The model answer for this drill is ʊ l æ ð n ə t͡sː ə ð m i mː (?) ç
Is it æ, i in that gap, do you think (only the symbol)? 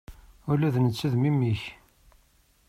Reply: i